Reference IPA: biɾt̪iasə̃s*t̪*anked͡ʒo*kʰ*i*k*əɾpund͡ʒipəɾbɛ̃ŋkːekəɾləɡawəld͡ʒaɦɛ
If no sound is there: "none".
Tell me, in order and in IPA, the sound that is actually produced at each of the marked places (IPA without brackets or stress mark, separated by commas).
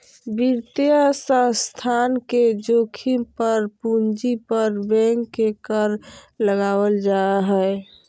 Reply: t̪ʰ, kʰ, p